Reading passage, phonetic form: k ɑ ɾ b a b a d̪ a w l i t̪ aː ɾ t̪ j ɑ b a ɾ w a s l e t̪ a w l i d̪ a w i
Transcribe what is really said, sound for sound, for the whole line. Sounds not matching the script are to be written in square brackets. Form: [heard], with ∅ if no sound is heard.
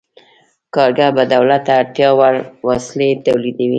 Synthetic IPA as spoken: k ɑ ɾ [ɡ] a b a d̪ a w l [a] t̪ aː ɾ t̪ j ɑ [w] a ɾ w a s l e t̪ a w l i d̪ a w i